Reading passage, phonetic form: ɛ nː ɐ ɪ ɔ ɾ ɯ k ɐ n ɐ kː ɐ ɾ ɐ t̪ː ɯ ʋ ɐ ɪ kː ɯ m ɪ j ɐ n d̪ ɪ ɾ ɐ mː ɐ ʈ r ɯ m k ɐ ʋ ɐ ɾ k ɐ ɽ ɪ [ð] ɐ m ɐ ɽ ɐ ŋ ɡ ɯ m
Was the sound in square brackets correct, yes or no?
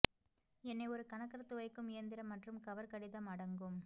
yes